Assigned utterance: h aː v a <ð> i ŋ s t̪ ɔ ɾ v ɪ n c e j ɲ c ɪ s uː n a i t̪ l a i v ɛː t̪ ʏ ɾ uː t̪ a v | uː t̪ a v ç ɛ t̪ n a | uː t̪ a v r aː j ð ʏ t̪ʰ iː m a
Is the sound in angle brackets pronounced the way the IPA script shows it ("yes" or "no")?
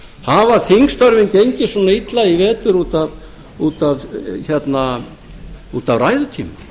no